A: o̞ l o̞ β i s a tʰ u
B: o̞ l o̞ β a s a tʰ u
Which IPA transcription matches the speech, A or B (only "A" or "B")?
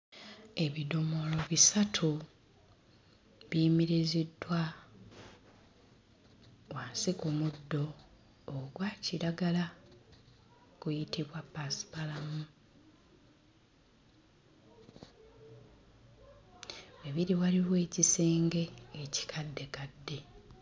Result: A